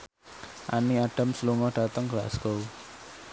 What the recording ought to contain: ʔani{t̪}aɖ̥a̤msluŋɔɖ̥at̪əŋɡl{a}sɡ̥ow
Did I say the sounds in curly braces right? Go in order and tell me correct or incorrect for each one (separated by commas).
incorrect, correct